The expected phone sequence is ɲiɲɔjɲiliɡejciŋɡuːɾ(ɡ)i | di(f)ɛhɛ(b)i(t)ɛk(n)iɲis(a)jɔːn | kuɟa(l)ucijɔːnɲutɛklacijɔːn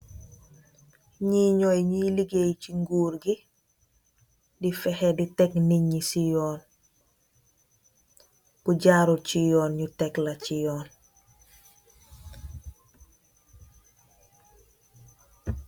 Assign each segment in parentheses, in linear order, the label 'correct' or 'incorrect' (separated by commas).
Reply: correct, correct, incorrect, correct, correct, incorrect, incorrect